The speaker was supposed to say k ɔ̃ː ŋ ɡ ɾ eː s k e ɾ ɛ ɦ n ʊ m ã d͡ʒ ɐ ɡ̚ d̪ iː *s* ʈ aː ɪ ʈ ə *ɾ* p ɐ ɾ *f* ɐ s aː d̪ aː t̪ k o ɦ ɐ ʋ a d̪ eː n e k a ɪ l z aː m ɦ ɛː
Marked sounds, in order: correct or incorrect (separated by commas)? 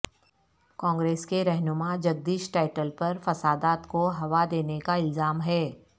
incorrect, incorrect, correct